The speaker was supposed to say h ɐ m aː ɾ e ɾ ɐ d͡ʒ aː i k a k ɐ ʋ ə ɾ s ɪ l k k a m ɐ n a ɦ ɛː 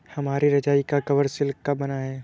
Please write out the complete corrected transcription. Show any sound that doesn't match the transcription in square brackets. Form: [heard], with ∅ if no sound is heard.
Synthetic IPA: h ɐ m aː ɾ [i] ɾ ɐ d͡ʒ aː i k a k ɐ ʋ ə ɾ s ɪ l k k a [b] ɐ n a ɦ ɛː